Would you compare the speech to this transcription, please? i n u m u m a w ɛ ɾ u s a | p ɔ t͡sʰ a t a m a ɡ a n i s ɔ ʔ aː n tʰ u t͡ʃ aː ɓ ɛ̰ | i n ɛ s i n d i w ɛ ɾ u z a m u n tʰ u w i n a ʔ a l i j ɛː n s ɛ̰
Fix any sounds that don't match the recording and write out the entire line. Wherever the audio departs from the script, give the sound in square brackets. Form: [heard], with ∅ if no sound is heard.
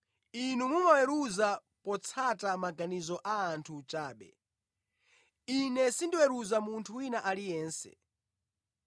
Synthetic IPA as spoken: i n u m u m a w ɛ ɾ u [z] a | p ɔ t͡sʰ a t a m a ɡ a n i [z] ɔ ʔ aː n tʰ u t͡ʃ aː ɓ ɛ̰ | i n ɛ s i n d i w ɛ ɾ u z a m u n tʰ u w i n a ʔ a l i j ɛː n s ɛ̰

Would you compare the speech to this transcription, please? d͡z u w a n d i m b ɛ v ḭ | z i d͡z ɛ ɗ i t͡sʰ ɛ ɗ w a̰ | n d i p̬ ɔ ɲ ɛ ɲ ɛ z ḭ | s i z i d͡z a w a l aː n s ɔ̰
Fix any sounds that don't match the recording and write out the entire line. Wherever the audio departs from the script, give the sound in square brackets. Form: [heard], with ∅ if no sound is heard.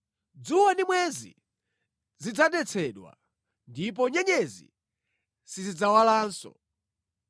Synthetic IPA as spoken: d͡z u w a n d i m [w] ɛ [z] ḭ | z i d͡z [a] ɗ [ɛ] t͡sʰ ɛ ɗ w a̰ | n d i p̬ ɔ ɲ ɛ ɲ ɛ z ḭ | s i z i d͡z a w a l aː n s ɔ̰

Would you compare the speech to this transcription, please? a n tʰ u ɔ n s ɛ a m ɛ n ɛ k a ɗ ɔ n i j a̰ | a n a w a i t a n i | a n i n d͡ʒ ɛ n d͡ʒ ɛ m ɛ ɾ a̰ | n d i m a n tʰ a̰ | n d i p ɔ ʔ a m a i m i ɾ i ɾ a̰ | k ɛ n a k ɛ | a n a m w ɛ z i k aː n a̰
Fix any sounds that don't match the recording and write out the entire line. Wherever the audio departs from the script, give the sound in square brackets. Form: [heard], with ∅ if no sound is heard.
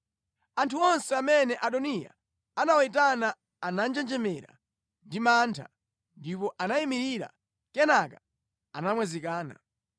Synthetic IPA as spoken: a n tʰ u ɔ n s ɛ a m ɛ n ɛ [ʔ] a ɗ ɔ n i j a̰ | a n a w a i t a n [a] | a n [a] n d͡ʒ ɛ n d͡ʒ ɛ m ɛ ɾ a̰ | n d i m a n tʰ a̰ | n d i p ɔ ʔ a [n] a i m i ɾ i ɾ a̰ | k ɛ n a k [a] | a n a m w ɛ z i k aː n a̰

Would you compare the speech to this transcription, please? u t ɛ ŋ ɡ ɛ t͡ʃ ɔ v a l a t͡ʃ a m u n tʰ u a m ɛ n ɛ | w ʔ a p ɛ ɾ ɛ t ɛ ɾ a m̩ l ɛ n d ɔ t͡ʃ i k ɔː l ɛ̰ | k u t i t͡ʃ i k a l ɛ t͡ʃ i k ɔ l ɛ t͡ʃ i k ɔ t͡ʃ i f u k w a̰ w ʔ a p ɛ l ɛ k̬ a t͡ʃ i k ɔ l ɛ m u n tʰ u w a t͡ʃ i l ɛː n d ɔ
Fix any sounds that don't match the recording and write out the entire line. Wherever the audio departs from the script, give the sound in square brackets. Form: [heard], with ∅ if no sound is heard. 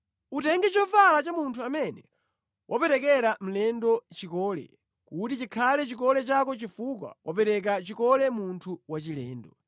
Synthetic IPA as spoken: u t ɛ ŋ ɡ ɛ t͡ʃ ɔ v a l a t͡ʃ a m u n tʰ u a m ɛ n ɛ | w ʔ a p ɛ ɾ ɛ [k] ɛ ɾ a m̩ l ɛ n d ɔ t͡ʃ i k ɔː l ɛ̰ | k u t i t͡ʃ i [kʰ] a l ɛ t͡ʃ i k ɔ l ɛ t͡ʃ [a] k ɔ t͡ʃ i f u k w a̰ w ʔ a p ɛ [ɾ] ɛ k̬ a t͡ʃ i k ɔ l ɛ m u n tʰ u w a t͡ʃ i l ɛː n d ɔ

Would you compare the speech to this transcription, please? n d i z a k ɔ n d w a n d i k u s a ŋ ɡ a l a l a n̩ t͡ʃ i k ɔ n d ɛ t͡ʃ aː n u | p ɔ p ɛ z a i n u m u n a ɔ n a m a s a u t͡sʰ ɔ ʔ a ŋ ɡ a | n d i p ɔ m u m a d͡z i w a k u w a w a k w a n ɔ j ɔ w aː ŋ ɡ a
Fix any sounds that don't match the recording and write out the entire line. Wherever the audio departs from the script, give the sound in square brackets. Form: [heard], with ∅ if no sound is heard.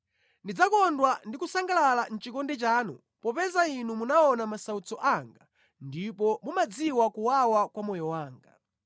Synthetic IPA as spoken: n d i [d͡z] a k ɔ n d w a n d i k u s a ŋ ɡ a l a l a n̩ t͡ʃ i k ɔ n d ɛ t͡ʃ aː n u | p ɔ p ɛ z a i n u m u n a ɔ n a m a s a u [t͡s] ɔ ʔ a ŋ ɡ a | n d i p ɔ m u m a d͡z i w a k u w a w a k w a [m] ɔ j ɔ w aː ŋ ɡ a

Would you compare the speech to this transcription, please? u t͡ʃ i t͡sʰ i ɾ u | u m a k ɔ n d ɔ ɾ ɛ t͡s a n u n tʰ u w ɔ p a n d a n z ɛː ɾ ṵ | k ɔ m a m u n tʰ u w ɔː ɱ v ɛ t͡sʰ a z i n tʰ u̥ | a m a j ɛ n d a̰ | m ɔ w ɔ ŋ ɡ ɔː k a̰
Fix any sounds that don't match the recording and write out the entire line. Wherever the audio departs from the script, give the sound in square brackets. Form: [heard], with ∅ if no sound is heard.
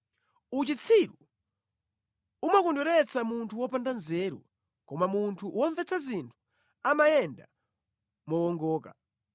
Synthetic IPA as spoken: u t͡ʃ i t͡sʰ i ɾ u | u m a k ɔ n d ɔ ɾ ɛ t͡s a [m] u n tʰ u w ɔ p a n d a n z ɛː ɾ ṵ | k ɔ m a m u n tʰ u w [ɔ] ɱ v ɛ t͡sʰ a z i n tʰ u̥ | a m a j ɛ n d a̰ | m ɔ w ɔ ŋ ɡ ɔː k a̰

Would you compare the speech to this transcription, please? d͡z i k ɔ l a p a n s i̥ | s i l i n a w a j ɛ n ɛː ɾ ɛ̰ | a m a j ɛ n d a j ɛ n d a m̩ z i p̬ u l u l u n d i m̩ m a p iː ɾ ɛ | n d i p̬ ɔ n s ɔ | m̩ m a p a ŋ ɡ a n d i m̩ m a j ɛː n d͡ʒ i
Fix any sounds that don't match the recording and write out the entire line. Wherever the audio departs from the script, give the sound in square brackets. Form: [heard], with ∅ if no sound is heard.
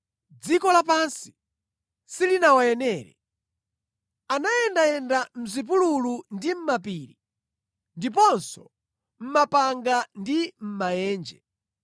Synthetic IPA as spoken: d͡z i k ɔ l a p a n s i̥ | s i l i n a w a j ɛ n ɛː ɾ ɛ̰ | a [n] a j ɛ n d a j ɛ n d a m̩ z i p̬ u l u l u n d i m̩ m a p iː ɾ [i] | n d i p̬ ɔ n s ɔ | m̩ m a p a ŋ ɡ a n d i m̩ m a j ɛː n d͡ʒ [ɛ]

